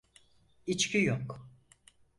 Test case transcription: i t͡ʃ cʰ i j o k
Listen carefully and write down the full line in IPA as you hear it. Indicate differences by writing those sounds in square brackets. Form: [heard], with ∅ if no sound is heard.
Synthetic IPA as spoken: i t͡ʃ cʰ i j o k